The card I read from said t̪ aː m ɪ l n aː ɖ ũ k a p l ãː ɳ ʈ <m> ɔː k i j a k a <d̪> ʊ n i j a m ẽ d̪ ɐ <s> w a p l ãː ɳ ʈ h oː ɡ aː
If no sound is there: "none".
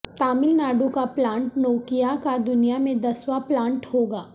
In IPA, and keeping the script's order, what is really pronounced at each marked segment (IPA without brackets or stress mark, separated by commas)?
n, d̪, s